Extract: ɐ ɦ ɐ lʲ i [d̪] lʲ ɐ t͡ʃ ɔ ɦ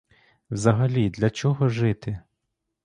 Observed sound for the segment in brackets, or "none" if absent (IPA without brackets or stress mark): d̪